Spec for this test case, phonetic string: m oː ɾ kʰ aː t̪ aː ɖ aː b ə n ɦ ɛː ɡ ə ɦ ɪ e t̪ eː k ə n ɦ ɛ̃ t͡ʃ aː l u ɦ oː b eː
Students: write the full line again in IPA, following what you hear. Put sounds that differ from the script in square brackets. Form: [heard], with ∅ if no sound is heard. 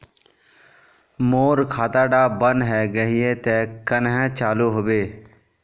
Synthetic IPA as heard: m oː ɾ kʰ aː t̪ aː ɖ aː b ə n ɦ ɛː ɡ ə ɦ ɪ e t̪ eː k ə n ɦ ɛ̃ t͡ʃ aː l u ɦ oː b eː